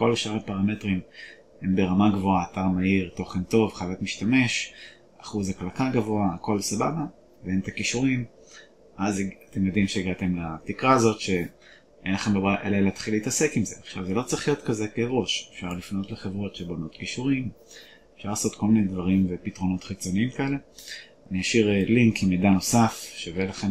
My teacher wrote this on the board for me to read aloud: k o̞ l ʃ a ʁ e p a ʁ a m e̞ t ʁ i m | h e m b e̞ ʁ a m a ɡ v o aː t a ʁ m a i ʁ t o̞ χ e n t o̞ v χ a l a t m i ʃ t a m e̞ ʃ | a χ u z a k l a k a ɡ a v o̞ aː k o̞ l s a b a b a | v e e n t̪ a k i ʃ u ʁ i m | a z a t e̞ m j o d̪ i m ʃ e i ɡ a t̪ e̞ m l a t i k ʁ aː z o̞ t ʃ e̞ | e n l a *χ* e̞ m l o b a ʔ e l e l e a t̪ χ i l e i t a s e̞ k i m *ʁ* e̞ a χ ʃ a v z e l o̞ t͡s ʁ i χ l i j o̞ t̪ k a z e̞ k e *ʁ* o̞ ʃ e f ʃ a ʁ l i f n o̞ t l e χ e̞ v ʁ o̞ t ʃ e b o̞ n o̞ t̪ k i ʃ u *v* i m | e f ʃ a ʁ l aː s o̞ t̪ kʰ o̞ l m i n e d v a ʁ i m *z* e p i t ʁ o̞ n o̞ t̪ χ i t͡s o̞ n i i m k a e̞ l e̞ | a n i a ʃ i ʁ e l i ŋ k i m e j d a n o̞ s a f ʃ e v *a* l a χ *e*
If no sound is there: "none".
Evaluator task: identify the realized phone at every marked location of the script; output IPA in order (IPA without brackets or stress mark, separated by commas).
χ, z, ʁ, ʁ, v, e, e